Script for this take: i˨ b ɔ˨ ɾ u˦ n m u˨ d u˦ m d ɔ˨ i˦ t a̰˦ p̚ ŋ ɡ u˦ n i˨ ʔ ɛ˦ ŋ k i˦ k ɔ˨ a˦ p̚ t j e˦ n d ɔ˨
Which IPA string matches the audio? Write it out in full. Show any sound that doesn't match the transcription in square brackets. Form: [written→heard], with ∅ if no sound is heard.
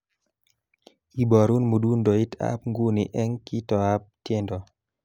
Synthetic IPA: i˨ b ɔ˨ ɾ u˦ n m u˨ d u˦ [m→n] d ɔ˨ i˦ t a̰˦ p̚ ŋ ɡ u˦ n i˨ ʔ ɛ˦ ŋ k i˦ [k→t] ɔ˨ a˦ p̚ t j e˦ n d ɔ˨